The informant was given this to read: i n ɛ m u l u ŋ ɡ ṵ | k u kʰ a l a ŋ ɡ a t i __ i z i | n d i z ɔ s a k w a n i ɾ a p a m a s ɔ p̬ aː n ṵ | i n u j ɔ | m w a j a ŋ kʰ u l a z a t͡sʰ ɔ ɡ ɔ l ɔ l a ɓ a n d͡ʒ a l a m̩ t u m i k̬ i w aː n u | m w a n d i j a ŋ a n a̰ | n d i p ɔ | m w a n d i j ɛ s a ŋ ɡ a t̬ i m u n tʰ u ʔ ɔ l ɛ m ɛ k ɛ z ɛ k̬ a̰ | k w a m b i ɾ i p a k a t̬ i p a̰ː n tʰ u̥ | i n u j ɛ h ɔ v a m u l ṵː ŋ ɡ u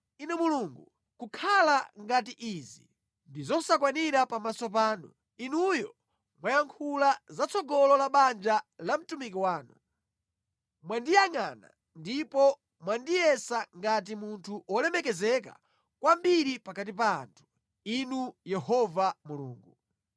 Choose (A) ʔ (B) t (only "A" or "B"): A